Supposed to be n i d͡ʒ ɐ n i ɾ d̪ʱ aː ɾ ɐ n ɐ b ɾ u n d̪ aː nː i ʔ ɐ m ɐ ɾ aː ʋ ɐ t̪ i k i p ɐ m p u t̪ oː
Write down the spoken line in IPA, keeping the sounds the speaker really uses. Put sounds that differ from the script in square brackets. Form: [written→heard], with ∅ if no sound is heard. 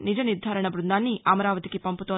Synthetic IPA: n i d͡ʒ ɐ n i ɾ d̪ʱ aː ɾ ɐ [n→ɳ] ɐ b ɾ u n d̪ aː nː i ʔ ɐ m ɐ ɾ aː ʋ ɐ t̪ i k i p ɐ m p u t̪ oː